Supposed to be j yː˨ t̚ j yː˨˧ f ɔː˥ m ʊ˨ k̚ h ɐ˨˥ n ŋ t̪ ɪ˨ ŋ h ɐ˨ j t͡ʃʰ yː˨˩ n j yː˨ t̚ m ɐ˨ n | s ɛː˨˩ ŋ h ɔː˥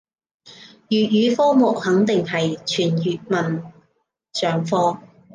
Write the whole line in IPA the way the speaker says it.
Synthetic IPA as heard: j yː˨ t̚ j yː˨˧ f ɔː˥ m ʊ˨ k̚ h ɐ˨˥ ŋ t̪ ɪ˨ ŋ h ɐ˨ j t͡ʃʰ yː˨˩ n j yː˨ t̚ m ɐ˨ n | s œː˨˩ ŋ f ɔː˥